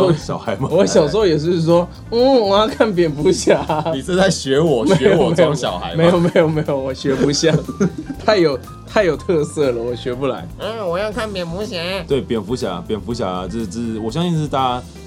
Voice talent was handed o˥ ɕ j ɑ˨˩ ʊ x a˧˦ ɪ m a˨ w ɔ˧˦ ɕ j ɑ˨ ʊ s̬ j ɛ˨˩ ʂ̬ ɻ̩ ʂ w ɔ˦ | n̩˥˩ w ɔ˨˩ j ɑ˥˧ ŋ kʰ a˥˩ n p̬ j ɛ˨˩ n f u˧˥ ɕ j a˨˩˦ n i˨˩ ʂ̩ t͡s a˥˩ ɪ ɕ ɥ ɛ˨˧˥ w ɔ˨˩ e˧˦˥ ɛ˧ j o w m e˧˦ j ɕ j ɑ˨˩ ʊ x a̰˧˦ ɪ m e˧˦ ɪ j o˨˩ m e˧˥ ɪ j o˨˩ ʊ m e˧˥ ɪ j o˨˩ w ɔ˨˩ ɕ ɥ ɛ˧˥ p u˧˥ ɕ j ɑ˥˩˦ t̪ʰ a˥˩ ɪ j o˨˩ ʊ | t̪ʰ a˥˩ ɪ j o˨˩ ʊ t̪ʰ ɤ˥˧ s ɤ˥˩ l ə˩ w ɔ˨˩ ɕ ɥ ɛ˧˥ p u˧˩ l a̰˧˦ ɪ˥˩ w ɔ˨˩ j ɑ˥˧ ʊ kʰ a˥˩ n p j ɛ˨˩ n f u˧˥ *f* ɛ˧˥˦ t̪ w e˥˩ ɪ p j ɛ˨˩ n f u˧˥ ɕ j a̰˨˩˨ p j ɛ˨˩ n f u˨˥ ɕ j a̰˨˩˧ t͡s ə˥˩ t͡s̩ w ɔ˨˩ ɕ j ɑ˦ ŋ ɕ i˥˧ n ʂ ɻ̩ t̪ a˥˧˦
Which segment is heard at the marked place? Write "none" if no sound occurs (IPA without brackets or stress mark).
ɕ